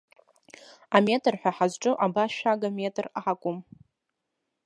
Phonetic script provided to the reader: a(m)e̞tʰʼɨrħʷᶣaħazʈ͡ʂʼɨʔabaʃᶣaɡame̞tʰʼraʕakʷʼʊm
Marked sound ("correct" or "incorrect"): correct